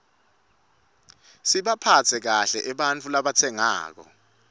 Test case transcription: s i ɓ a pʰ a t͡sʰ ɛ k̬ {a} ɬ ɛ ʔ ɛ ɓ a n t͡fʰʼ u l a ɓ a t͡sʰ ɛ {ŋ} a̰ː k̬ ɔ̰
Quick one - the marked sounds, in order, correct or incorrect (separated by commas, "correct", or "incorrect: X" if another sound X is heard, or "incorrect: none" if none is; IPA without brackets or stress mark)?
correct, correct